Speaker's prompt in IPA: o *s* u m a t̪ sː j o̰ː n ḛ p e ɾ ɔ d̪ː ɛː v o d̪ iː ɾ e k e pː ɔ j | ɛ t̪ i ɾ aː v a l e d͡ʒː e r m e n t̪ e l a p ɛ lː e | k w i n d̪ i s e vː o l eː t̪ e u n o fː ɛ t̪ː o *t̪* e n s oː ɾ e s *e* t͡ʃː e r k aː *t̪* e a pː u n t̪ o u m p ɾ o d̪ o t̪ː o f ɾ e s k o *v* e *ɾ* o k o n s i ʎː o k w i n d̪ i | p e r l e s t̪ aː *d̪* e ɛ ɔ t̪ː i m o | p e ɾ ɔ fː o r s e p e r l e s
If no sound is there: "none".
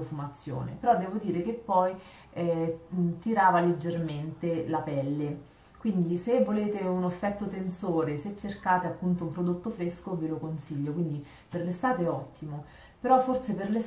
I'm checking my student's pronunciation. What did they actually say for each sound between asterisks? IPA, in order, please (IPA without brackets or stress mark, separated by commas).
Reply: f, t̪, e, t̪, v, l, t̪